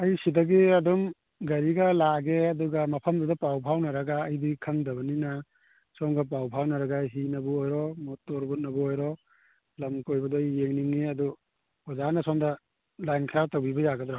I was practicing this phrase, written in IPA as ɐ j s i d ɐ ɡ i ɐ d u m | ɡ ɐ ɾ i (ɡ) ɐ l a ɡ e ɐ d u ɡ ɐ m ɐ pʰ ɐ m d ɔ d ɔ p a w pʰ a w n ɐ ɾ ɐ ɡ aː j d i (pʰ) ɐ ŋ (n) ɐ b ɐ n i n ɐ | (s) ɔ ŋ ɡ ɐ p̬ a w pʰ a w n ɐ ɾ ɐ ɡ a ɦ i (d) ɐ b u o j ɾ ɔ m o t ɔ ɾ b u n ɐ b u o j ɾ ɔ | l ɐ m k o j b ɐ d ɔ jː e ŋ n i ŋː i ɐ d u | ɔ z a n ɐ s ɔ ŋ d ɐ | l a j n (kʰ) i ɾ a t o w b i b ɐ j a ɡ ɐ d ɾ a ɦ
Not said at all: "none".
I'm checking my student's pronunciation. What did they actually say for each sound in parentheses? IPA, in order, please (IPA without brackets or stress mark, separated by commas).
ɡ, kʰ, d, s, n, kʰ